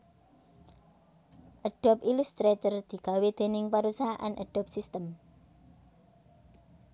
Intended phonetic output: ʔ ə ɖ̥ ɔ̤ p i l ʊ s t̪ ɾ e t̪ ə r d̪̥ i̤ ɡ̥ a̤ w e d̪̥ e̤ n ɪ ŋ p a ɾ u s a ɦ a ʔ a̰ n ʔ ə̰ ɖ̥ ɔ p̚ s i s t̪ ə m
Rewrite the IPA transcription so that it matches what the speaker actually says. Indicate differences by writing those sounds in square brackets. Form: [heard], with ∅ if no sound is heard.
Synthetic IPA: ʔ ə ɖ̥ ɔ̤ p i l [u] s t̪ ɾ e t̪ ə r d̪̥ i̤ ɡ̥ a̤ w e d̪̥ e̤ n ɪ ŋ p a ɾ u s a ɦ a ʔ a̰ n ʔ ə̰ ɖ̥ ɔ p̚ s i s t̪ ə m

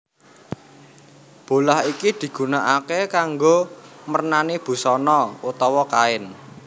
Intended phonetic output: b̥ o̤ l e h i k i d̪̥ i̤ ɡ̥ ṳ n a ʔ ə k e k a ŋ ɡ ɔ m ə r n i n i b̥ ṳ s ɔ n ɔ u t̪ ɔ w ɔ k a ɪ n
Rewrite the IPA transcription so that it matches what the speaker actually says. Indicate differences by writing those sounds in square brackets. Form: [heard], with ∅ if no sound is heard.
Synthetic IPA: b̥ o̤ l [a] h i k i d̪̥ i̤ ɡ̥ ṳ n a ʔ [a] k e k a ŋ ɡ [o] m ə r n [a] n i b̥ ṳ s ɔ n ɔ u t̪ ɔ w ɔ k a ɪ n

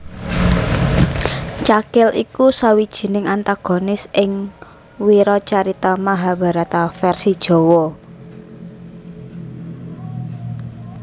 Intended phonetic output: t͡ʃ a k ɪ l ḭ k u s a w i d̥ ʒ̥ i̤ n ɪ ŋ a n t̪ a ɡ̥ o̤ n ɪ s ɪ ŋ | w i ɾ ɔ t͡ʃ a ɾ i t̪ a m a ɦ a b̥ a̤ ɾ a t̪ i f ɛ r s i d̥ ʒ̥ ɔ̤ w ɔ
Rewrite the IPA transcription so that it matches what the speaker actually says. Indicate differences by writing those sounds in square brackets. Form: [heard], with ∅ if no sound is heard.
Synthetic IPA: t͡ʃ a k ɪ l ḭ k u s a w i d̥ ʒ̥ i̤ n ɪ ŋ a n t̪ a ɡ̥ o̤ n ɪ s ɪ ŋ | w i ɾ ɔ t͡ʃ a ɾ i t̪ a m a ɦ a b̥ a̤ ɾ a t̪ [a] f ɛ r s i d̥ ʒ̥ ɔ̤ w ɔ

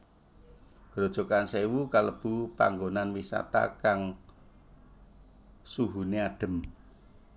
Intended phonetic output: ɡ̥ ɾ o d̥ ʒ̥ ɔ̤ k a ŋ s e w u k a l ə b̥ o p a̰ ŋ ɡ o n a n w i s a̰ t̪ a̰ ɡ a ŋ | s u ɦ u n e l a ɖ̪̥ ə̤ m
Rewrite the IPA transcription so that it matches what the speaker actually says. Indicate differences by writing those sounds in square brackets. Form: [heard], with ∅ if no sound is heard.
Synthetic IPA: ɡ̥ ɾ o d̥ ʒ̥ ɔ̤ k a [n] s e w u k a l ə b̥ [u] p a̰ ŋ ɡ o n a n w i s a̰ t̪ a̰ [k] a ŋ | s u ɦ u n e [∅] a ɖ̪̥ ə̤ m

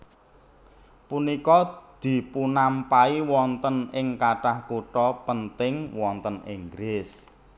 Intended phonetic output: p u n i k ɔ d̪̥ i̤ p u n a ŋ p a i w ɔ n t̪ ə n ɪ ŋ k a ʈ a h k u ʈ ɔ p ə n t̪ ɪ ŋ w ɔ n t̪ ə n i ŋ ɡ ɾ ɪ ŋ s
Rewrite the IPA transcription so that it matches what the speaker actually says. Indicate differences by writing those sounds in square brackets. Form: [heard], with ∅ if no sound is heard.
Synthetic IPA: p u n i k ɔ d̪̥ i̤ p u n a [m] p a i w ɔ n t̪ ə n ɪ ŋ k a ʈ a h k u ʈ ɔ p ə n t̪ ɪ ŋ w ɔ n t̪ ə n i ŋ ɡ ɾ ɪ [∅] s

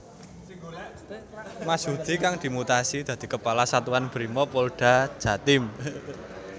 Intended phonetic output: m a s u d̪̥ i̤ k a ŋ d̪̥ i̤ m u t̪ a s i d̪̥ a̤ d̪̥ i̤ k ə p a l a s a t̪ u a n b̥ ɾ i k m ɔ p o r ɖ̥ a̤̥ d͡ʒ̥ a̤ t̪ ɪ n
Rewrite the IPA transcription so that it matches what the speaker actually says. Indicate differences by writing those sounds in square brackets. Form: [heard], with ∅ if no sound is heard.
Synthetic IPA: m a s u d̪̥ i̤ k a ŋ d̪̥ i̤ m u t̪ a s i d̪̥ a̤ d̪̥ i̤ k ə p a l a s a t̪ u a n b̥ ɾ i [∅] m ɔ p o [l] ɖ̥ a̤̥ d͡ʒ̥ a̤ t̪ ɪ [m]

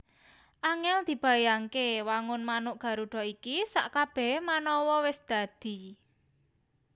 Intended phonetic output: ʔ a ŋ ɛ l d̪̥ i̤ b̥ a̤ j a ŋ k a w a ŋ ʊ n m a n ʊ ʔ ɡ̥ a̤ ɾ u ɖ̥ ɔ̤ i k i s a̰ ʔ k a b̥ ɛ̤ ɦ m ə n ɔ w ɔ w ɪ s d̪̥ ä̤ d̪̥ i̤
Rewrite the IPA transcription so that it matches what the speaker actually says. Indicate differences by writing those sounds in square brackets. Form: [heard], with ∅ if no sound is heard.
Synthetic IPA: ʔ a ŋ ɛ l d̪̥ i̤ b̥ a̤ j a ŋ k [e] w a ŋ ʊ n m a n ʊ ʔ ɡ̥ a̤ ɾ u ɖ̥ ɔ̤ i k i s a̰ ʔ k a b̥ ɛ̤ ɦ m [a] n ɔ w ɔ w ɪ s d̪̥ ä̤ d̪̥ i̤

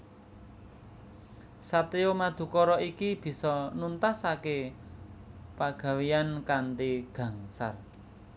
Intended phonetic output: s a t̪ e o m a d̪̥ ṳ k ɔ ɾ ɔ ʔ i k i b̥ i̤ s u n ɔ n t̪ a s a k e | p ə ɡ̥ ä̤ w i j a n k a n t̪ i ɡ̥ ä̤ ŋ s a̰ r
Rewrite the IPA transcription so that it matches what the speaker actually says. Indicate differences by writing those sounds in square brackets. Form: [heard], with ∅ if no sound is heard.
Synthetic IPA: s a t̪ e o m a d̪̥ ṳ k ɔ ɾ ɔ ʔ i k i b̥ i̤ s [ɔ] n [u] n t̪ a s a k e | p [a] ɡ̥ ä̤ w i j a n k a n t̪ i ɡ̥ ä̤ ŋ s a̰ r

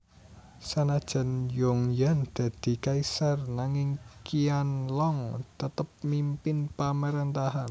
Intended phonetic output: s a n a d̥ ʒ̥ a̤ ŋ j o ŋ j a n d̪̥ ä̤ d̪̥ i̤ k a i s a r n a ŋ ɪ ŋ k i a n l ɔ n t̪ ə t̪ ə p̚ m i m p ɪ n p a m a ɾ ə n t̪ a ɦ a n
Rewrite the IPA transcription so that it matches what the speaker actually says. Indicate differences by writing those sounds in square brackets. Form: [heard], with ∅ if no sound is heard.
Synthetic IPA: s a n a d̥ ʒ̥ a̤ [n] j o ŋ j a n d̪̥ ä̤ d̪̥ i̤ k a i s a r n a ŋ ɪ ŋ k i a n l ɔ [ŋ] t̪ ə t̪ ə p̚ m i m p ɪ n p a m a ɾ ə n t̪ a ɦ a n

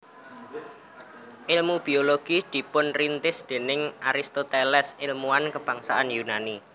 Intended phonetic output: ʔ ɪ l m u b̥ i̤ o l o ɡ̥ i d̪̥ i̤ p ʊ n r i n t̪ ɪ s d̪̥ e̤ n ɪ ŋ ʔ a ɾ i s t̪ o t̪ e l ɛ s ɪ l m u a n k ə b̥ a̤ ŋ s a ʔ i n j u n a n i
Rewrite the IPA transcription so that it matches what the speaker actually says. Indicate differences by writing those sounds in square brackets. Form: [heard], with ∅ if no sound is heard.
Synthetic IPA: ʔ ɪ l m u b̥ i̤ o l o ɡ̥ i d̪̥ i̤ p ʊ n r i n t̪ ɪ s d̪̥ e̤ n ɪ ŋ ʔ a ɾ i s t̪ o t̪ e l ɛ s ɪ l m u a n k ə b̥ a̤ ŋ s a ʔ [a] n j u n a n i

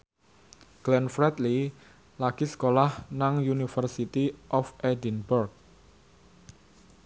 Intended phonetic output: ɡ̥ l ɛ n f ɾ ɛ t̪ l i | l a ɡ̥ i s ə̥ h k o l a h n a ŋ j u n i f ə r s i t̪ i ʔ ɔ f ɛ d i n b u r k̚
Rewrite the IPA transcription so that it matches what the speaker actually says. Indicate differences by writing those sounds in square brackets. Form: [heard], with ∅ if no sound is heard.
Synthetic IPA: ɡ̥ l ɛ n f ɾ ɛ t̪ l i | l a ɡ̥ i s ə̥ [∅] k o l a h n a ŋ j u n i f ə r s i t̪ i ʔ ɔ f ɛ d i n b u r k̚

